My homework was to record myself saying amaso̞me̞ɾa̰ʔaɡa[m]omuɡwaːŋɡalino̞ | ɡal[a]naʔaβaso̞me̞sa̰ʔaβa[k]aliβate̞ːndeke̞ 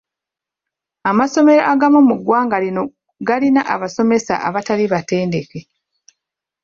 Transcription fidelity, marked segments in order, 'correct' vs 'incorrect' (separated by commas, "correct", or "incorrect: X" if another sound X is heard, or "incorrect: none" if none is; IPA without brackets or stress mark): correct, incorrect: i, incorrect: t